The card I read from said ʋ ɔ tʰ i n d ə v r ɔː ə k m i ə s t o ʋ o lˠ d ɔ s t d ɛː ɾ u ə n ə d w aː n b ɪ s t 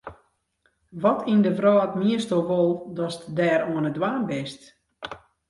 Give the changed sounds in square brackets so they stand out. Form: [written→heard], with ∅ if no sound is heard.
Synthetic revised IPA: ʋ ɔ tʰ i n d ə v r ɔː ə [k→t] m i ə s t o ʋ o lˠ d ɔ s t d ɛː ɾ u ə n ə d w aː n b ɪ s t